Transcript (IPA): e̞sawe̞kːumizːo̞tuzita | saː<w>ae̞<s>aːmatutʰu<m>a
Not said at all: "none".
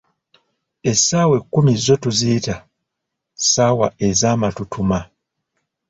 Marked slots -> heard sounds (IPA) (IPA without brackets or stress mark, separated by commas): w, z, m